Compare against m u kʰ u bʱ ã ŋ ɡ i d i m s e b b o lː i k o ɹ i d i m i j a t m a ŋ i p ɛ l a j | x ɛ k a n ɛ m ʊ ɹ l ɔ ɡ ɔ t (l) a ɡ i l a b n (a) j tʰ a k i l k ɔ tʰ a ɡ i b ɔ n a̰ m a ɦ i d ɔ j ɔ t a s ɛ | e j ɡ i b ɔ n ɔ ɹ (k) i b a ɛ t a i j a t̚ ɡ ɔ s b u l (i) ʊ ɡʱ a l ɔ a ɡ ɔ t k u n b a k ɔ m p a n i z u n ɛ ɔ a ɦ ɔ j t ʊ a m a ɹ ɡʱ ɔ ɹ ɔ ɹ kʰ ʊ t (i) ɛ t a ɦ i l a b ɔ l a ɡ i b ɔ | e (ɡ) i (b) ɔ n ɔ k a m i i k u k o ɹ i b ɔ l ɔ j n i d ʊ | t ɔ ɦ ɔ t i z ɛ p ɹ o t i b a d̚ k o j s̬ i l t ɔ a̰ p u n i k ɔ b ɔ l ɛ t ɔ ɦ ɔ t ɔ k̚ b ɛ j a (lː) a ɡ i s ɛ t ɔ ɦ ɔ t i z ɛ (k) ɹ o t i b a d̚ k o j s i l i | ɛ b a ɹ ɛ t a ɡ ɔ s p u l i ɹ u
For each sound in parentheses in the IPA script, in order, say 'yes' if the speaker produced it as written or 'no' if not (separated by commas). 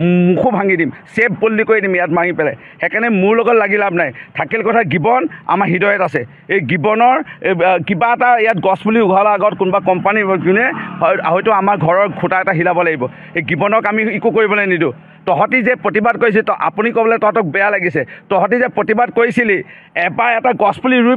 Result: yes, yes, yes, yes, no, yes, yes, no, no